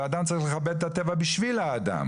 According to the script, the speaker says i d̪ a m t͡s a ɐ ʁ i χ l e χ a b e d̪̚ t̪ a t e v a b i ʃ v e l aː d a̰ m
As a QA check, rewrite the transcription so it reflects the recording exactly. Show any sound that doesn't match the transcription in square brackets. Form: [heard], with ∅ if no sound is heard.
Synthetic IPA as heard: [a] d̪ a m t͡s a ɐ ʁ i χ l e χ a b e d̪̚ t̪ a t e v a b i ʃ v [i] l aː d a̰ m